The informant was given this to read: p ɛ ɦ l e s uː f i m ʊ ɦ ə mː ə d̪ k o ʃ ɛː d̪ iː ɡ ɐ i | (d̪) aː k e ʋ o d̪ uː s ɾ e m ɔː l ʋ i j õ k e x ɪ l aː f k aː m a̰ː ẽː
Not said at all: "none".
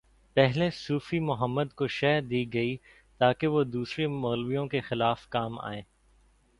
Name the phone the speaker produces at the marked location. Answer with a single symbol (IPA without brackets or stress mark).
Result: t̪